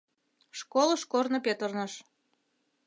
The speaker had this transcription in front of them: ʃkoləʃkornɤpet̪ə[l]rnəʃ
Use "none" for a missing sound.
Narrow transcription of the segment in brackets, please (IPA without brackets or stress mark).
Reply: none